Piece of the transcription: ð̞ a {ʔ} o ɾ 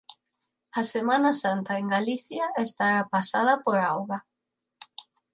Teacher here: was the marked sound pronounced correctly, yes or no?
no